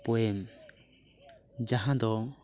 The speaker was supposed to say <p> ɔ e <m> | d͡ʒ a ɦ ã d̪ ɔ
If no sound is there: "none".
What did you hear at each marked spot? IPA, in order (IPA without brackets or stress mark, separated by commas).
p, m